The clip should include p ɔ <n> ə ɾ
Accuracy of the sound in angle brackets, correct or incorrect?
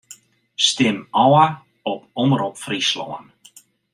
incorrect